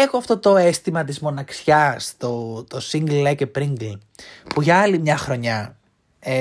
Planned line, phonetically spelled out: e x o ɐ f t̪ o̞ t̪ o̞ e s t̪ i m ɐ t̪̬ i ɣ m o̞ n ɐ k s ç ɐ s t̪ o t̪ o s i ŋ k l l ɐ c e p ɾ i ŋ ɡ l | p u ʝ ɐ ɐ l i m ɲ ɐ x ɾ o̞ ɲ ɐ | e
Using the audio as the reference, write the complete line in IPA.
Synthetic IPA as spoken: e x o ɐ f t̪ o̞ t̪ o̞ e s t̪ i m ɐ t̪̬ i z m o̞ n ɐ k s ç ɐ s t̪ o t̪ o s i ŋ ɡ l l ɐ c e p ɾ i ŋ ɡ l | p u ʝ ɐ ɐ l i m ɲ ɐ x ɾ o̞ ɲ ɐ | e